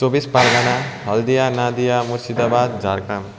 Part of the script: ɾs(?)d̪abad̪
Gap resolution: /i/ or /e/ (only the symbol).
i